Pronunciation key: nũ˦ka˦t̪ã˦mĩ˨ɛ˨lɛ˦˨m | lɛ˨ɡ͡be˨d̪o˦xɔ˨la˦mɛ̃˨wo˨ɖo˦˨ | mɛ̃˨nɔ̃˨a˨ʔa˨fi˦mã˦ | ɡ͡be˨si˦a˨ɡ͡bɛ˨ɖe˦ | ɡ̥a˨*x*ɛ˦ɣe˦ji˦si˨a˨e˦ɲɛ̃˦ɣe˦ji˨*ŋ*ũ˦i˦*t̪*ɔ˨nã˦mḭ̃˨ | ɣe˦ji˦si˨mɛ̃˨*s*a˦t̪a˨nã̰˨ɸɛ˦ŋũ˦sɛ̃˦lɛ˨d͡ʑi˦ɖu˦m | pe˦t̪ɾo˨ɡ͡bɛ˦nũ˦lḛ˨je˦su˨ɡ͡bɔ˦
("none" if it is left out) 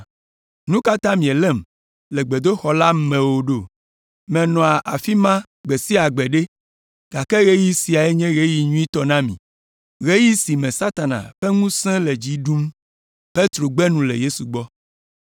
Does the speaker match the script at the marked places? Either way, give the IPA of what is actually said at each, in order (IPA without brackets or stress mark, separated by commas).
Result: k, ɲ, t̪, s